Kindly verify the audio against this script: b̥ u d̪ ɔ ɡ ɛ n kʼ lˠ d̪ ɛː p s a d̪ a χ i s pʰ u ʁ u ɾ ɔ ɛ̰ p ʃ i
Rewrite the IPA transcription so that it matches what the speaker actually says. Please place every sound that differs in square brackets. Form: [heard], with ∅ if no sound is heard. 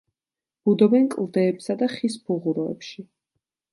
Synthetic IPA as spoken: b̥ u d̪ ɔ [b] ɛ n kʼ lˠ d̪ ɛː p s a d̪ a χ i s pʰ u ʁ u ɾ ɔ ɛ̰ p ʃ i